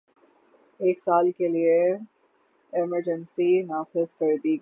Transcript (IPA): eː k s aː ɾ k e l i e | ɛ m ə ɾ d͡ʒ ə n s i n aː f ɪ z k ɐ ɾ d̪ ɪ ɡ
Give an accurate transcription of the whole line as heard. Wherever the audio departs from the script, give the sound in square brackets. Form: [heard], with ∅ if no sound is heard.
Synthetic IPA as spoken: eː k s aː [l] k e l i e | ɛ m ə ɾ d͡ʒ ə n s i n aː f ɪ z k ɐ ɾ d̪ [i] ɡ